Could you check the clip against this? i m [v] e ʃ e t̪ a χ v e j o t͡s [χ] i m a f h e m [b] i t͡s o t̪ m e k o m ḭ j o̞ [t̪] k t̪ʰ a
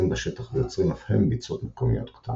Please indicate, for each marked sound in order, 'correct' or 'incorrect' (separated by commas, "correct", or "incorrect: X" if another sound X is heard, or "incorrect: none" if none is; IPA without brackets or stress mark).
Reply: incorrect: b, incorrect: ʁ, correct, correct